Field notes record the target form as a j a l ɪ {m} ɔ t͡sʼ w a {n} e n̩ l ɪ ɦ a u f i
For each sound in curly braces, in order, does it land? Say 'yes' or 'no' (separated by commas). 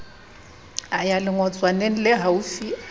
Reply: no, yes